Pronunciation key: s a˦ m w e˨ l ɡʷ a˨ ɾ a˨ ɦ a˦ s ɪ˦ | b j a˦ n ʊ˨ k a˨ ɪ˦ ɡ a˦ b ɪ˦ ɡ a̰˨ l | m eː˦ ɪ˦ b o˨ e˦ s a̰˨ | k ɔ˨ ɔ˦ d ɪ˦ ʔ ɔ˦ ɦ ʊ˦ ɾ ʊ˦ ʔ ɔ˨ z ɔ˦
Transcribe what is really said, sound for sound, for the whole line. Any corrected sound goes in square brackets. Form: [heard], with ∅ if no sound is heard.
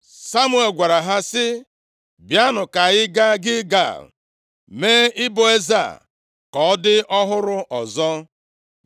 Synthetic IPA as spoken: s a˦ m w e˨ l ɡʷ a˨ ɾ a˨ ɦ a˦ s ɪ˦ | b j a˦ n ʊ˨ k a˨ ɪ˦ ɡ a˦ [ɡ] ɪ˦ ɡ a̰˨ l | m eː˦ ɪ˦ b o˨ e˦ [z] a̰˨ | k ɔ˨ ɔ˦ d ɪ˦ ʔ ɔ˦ ɦ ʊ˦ ɾ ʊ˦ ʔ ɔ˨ z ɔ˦